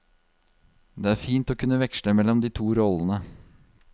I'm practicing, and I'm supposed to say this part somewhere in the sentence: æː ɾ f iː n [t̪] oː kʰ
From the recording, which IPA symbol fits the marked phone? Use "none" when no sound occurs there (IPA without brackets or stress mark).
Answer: t̪